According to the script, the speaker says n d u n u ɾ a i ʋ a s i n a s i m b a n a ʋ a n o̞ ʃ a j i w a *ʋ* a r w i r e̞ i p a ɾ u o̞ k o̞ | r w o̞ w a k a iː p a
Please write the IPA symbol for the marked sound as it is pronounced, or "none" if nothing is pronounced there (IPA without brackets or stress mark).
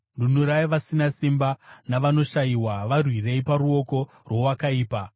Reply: ʋ